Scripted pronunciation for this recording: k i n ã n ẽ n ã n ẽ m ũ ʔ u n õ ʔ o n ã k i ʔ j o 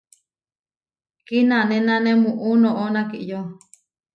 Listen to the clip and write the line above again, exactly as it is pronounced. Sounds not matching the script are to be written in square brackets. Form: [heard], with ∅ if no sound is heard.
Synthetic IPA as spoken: k i n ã n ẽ n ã n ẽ m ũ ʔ u n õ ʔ o n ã k i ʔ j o